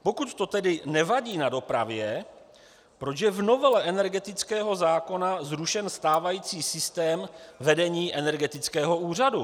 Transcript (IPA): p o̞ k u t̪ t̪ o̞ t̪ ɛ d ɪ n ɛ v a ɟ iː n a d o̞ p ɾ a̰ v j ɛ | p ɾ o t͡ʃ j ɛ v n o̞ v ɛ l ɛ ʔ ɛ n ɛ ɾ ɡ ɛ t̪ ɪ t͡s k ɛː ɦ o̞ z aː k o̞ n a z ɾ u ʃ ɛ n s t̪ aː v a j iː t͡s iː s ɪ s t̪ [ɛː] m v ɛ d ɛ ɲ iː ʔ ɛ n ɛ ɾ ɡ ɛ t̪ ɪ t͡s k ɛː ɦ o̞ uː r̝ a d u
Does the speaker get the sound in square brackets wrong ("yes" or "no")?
no